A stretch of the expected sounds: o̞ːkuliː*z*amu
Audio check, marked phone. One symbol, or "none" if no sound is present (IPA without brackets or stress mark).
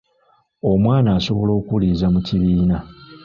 z